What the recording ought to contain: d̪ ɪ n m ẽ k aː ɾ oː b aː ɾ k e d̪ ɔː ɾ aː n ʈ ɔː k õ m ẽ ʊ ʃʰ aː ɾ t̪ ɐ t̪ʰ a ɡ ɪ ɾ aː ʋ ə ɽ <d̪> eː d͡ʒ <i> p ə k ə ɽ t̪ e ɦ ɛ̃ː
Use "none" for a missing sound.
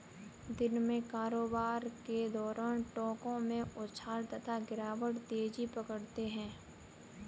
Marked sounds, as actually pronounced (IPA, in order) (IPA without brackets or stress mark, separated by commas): t̪, i